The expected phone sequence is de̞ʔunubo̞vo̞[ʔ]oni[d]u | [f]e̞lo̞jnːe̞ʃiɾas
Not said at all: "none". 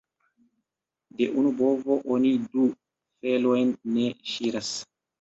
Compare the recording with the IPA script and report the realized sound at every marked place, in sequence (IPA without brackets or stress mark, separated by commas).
ʔ, d, f